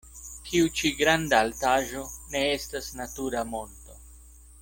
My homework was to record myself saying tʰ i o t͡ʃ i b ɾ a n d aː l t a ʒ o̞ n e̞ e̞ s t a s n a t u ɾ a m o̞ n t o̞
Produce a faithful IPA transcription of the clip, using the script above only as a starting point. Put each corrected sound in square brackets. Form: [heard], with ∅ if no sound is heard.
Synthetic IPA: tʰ i [u] t͡ʃ i [ɡ] ɾ a n d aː l t a ʒ o̞ n e̞ e̞ s t a s n a t u ɾ a m o̞ n t o̞